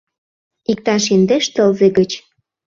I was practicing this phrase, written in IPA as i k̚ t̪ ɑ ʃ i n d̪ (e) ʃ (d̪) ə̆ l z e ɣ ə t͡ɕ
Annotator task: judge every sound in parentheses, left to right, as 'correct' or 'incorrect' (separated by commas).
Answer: correct, incorrect